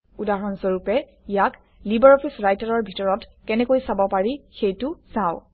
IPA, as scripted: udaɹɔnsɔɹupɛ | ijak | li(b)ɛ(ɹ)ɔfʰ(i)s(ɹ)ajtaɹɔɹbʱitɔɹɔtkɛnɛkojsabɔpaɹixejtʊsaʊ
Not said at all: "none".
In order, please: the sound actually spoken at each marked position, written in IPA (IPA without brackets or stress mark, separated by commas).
b, ɹ, i, ɹ